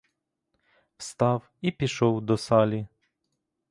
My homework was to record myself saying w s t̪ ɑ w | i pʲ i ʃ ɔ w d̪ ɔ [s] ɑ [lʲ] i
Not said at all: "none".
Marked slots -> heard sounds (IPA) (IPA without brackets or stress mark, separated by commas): s, lʲ